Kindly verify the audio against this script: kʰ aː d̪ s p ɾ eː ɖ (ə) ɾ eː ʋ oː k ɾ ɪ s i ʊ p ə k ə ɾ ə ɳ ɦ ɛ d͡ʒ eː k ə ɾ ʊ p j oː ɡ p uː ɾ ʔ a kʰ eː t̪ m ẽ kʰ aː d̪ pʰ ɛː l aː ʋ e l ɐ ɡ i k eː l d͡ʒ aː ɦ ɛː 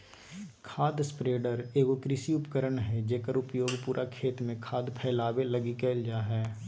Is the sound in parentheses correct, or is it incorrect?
correct